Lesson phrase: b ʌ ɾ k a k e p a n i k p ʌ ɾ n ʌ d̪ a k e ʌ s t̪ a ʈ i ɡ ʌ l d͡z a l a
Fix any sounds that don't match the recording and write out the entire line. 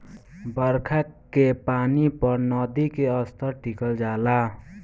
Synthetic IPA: b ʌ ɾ kʰ a k e p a n i p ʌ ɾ n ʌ d̪ i k e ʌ s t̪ ʌ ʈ i k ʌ l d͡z a l a